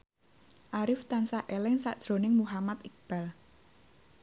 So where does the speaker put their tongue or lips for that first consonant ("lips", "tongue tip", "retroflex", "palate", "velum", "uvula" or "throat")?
throat